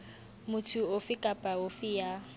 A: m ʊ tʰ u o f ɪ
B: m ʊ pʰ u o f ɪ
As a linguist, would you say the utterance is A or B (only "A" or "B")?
A